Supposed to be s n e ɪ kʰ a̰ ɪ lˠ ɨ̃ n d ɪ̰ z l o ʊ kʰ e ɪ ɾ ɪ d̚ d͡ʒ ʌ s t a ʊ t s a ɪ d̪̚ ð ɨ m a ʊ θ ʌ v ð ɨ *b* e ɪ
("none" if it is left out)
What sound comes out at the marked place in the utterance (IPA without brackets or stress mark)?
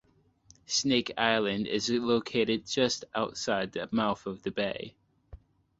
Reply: b